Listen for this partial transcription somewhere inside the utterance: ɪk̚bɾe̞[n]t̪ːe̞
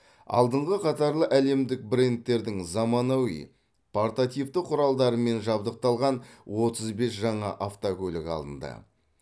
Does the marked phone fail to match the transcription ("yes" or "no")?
no